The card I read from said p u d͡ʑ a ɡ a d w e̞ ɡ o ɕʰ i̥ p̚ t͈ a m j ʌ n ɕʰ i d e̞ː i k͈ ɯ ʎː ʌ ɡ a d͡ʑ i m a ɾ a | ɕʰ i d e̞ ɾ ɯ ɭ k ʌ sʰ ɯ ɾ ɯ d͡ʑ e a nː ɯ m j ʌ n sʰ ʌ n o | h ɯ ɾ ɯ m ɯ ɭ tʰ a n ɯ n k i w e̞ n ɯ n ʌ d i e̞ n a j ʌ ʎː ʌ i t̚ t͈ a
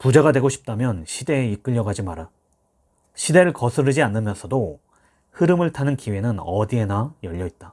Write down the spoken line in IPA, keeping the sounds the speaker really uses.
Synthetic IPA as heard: p u d͡ʑ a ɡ a d w e̞ ɡ o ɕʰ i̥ p̚ t͈ a m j ʌ n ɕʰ i d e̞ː i k͈ ɯ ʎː ʌ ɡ a d͡ʑ i m a ɾ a | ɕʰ i d e̞ ɾ ɯ ɭ k ʌ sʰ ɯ ɾ ɯ d͡ʑ i a nː ɯ m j ʌ n sʰ ʌ d o | h ɯ ɾ ɯ m ɯ ɭ tʰ a n ɯ n k i w e̞ n ɯ n ʌ d i e̞ n a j ʌ ʎː ʌ i t̚ t͈ a